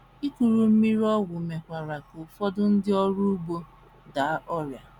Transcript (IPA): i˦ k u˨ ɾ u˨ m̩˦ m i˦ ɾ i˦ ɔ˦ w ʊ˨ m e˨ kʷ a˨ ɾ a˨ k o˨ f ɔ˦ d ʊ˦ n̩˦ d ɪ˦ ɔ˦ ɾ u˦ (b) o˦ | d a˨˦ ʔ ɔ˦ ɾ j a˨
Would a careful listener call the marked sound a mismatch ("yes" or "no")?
no